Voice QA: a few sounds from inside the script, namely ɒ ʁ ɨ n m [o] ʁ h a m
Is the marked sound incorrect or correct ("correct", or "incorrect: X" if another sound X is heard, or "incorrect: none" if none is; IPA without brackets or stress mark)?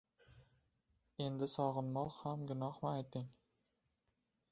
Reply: incorrect: ɒ